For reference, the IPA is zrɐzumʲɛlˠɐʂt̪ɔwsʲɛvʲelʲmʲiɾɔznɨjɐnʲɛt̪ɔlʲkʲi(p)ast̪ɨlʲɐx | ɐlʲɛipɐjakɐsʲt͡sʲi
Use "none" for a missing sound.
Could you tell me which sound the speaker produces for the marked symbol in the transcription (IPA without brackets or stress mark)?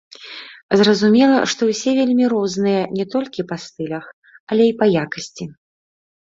p